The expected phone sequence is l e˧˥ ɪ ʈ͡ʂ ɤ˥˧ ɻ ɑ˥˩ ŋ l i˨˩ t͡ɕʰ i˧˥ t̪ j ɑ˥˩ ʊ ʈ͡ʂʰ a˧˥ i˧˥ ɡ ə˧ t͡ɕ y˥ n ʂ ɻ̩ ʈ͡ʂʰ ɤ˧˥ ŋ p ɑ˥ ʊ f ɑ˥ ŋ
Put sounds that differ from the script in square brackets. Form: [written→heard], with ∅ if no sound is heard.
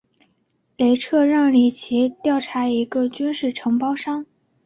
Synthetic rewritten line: l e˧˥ ɪ [ʈ͡ʂ→ʈ͡ʂʰ] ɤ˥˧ ɻ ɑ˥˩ ŋ l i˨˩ t͡ɕʰ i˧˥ t̪ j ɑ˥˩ ʊ ʈ͡ʂʰ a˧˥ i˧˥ ɡ ə˧ t͡ɕ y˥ n ʂ ɻ̩ ʈ͡ʂʰ ɤ˧˥ ŋ p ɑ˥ ʊ [f→ʂ] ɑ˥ ŋ